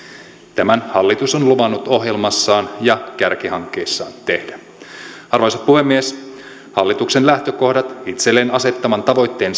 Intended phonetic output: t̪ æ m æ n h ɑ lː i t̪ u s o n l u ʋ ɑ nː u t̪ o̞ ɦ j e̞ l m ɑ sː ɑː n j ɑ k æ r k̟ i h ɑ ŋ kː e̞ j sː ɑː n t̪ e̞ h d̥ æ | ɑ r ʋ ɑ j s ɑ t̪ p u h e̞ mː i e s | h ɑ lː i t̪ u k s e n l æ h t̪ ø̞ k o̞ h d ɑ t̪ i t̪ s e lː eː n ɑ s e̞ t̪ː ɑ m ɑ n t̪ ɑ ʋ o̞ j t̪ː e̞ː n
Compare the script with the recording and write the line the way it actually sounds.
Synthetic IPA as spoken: t̪ æ m æ n h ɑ lː i t̪ u s o n l u ʋ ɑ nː u t̪ o̞ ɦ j e̞ l m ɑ sː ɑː n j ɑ k æ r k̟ i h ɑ ŋ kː e̞ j sː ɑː n t̪ e̞ h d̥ æ | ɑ r ʋ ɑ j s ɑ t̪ p u h e̞ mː i e s | h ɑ lː i t̪ u k s e n l æ h t̪ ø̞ k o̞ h d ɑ t̪ i t̪ s e lː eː n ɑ s e̞ t̪ː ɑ m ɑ n t̪ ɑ ʋ o̞ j t̪ː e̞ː n